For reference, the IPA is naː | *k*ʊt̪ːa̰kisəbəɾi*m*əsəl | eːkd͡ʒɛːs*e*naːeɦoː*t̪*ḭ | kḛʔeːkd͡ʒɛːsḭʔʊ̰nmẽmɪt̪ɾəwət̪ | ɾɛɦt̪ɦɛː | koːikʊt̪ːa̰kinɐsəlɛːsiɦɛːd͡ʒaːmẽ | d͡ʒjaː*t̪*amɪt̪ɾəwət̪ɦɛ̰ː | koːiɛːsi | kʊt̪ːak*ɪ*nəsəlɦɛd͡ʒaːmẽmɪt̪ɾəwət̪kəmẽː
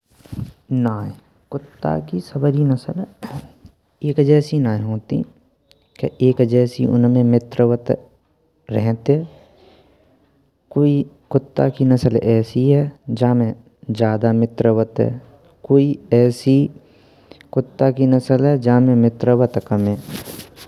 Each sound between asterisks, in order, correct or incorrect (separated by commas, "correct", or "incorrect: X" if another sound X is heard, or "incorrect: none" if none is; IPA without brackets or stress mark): correct, incorrect: n, incorrect: i, correct, incorrect: d̪, incorrect: i